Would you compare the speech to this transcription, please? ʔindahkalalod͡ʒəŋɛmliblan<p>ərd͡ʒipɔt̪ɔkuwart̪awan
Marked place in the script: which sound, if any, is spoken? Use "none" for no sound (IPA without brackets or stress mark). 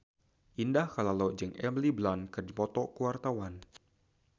k